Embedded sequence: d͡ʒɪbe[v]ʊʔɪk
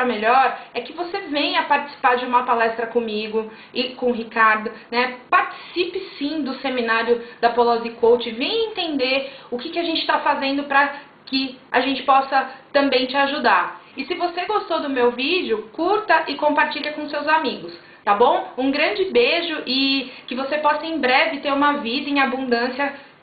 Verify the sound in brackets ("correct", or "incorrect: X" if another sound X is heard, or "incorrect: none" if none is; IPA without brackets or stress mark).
incorrect: ʒ